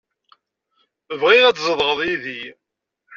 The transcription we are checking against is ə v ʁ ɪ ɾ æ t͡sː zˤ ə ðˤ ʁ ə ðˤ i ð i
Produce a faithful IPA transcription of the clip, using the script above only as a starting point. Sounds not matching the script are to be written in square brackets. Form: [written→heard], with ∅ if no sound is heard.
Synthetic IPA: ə v ʁ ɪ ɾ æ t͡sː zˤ ə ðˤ ʁ ə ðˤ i ð i

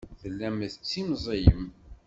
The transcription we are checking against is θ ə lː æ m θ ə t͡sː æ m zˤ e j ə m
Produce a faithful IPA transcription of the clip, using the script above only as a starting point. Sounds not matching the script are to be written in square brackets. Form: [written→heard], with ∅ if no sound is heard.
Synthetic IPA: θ ə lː æ m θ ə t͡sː [æ→i] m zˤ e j ə m

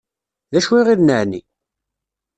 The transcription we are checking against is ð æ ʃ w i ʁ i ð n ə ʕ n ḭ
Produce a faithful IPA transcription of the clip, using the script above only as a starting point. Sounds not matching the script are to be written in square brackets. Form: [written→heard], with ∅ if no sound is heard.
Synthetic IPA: ð æ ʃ w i ʁ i ð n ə ʕ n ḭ

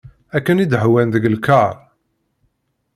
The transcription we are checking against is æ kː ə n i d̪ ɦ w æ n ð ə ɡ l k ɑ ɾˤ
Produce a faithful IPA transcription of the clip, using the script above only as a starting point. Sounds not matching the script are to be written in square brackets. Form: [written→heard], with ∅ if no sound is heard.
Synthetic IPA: æ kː ə n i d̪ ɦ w æ n ð ə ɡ l k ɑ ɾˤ

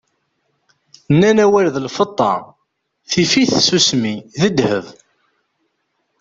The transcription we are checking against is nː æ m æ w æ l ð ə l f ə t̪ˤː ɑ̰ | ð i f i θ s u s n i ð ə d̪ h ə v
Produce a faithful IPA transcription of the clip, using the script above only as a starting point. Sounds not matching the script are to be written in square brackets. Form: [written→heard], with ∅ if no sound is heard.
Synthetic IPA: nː æ [m→n] æ w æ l ð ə l f ə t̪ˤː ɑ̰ | [ð→θ] i f i θ s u s [n→m] i ð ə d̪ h ə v

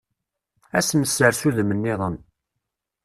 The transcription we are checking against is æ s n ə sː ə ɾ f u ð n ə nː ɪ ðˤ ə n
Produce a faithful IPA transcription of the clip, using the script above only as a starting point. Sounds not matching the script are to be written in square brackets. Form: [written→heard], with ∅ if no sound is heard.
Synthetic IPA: æ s [n→m] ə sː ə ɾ [f→s] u ð [n→m] ə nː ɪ ðˤ ə n

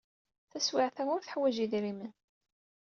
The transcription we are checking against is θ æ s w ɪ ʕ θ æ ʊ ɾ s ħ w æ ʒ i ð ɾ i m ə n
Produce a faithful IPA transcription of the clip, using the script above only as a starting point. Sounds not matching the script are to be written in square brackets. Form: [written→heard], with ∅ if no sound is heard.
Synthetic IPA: θ æ s w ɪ ʕ θ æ ʊ ɾ [s→θ] ħ w æ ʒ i ð ɾ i m ə n

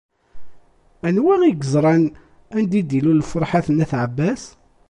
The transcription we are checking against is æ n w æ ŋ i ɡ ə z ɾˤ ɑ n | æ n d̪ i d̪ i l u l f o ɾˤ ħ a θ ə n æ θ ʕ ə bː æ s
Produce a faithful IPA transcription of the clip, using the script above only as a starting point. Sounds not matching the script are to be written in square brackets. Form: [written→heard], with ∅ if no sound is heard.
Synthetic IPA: æ n w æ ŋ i ɡ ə z ɾˤ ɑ n | æ n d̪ i d̪ i l u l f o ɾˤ ħ a θ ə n æ θ ʕ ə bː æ s

